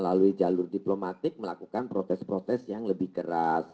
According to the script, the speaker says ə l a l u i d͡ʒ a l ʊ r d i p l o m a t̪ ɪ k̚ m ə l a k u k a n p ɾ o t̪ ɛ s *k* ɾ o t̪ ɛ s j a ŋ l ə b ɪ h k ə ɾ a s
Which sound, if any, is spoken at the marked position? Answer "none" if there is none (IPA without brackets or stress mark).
p